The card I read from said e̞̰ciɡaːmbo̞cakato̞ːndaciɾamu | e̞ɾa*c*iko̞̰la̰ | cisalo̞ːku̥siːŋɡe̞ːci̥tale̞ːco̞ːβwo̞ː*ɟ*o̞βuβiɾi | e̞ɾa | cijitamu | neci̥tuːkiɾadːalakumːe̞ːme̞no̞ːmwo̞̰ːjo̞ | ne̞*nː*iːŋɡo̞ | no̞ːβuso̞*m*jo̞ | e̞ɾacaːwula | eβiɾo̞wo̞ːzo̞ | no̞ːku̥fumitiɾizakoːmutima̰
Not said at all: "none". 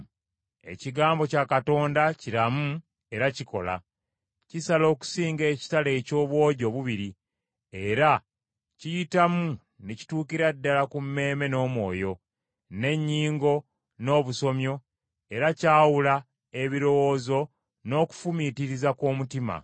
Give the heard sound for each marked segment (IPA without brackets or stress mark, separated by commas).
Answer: c, ɟ, ɲː, m